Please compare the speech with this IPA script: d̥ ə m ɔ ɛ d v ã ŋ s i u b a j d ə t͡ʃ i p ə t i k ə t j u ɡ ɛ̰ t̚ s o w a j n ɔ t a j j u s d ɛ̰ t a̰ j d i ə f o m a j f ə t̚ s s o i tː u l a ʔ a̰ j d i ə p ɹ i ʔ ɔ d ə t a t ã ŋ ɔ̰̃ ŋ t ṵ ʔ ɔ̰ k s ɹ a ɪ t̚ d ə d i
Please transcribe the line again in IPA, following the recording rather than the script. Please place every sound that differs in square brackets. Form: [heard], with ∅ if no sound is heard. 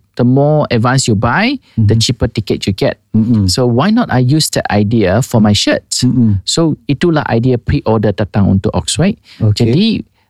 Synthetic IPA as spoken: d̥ ə m ɔ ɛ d v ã [n] s [j] u b a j d ə t͡ʃ i p ə t i k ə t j u ɡ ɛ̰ t̚ s o w a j n ɔ t a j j u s d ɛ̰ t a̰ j d i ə f [ɔ] m a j [ʃ] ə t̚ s s o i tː u l a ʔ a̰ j d i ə p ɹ i ʔ ɔ d ə t a t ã ŋ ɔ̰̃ [n] t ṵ ʔ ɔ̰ k s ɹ a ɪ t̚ [d͡ʒ] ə d i